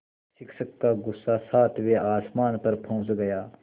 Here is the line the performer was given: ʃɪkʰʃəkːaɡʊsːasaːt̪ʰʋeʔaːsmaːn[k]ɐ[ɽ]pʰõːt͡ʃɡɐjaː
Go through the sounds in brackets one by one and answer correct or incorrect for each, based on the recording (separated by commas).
incorrect, incorrect